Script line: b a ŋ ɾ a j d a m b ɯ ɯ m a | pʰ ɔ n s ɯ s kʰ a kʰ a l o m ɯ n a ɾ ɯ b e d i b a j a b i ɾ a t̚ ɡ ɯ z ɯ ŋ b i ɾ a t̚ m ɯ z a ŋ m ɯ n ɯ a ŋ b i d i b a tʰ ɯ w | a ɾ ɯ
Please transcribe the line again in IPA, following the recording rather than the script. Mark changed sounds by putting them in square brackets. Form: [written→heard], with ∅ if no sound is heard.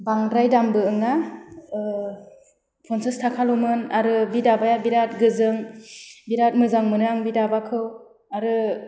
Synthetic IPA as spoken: b a ŋ ɾ a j d a m b ɯ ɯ [m→ŋ] a | pʰ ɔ n s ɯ s [kʰ→tʰ] a kʰ a l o m ɯ n a ɾ ɯ b [e→i] d [i→a] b a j a b i ɾ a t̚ ɡ ɯ z ɯ ŋ b i ɾ a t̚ m ɯ z a ŋ m ɯ n ɯ a ŋ b i d [i→a] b a [tʰ→kʰ] ɯ w | a ɾ ɯ